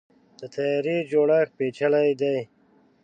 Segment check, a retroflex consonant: present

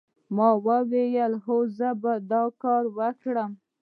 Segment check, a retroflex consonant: present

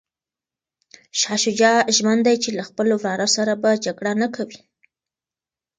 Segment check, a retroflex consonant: present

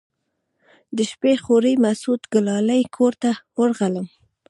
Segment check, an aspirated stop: present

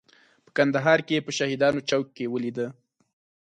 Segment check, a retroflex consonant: absent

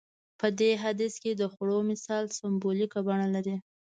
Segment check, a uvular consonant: absent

